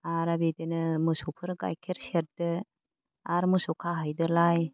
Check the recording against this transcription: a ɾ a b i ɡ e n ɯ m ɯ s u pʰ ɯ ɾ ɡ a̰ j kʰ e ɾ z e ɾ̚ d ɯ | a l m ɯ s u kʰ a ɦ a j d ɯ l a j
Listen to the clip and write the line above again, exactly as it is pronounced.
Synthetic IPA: a ɾ a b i d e n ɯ m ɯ s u pʰ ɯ ɾ ɡ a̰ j kʰ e ɾ s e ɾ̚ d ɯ | a ɾ m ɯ s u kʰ a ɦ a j d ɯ l a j